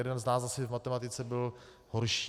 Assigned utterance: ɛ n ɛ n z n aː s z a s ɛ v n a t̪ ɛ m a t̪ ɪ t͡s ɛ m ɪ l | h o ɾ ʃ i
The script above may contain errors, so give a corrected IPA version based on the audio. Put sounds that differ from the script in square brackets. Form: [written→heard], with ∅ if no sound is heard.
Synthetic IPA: ɛ [n→d] ɛ n z n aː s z a s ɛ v [n→m] a t̪ ɛ m a t̪ ɪ t͡s ɛ [m→b] ɪ l | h o ɾ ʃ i